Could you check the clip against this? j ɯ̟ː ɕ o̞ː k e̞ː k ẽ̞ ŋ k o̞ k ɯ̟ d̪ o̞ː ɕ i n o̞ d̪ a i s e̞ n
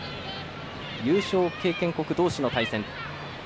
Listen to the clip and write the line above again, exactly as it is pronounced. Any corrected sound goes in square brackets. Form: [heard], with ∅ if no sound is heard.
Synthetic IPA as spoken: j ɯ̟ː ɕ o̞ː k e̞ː k ẽ̞ ŋ k o̞ k ɯ̟ d̪ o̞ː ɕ i n o̞ [t̪] a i s [ẽ̞] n